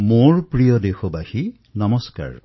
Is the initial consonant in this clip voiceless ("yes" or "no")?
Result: no